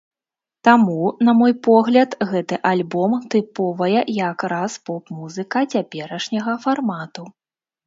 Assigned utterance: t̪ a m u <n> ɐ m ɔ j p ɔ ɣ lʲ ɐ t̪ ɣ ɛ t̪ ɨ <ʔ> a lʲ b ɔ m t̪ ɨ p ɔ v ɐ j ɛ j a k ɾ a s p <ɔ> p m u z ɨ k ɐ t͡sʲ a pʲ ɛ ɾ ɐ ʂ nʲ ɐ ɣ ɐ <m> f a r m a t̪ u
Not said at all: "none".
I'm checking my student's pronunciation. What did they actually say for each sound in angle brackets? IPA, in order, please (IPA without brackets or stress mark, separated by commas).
n, ʔ, ɔ, none